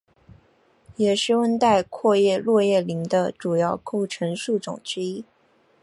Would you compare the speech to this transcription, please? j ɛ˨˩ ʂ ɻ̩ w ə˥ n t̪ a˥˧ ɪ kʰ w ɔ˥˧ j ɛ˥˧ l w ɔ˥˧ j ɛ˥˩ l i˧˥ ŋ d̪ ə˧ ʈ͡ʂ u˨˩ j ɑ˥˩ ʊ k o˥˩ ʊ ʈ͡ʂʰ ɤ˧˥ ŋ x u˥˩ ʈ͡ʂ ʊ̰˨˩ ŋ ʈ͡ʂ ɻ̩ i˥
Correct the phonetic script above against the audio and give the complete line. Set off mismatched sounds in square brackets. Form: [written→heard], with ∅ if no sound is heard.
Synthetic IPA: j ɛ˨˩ ʂ ɻ̩ w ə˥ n t̪ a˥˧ ɪ kʰ w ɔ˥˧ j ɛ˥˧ l w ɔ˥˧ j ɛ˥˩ l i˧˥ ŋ d̪ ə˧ ʈ͡ʂ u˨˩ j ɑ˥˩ ʊ k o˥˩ ʊ ʈ͡ʂʰ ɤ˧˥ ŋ [x→ʂ] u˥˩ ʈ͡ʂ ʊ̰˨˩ ŋ ʈ͡ʂ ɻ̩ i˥